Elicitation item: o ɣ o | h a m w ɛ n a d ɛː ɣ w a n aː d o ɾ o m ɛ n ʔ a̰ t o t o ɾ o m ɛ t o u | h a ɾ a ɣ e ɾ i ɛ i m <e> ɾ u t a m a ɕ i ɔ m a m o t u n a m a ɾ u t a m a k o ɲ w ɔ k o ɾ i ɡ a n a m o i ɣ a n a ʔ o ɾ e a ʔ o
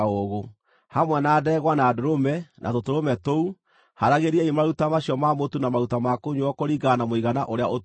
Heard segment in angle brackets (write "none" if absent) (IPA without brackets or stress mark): a